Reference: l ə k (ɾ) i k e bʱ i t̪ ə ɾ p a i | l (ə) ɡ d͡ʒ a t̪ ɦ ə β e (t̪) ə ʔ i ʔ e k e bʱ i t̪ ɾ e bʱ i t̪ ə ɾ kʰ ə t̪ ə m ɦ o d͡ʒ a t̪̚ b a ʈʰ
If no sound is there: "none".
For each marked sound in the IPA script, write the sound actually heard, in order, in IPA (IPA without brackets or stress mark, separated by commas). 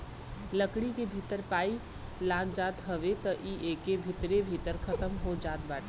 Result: ɽ, a, t̪